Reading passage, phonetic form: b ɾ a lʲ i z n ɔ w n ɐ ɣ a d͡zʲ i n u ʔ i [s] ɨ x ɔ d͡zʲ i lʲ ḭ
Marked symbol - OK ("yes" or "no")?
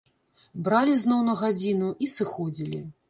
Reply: yes